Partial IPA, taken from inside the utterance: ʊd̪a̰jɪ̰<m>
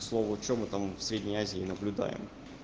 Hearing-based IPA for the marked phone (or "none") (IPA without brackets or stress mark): m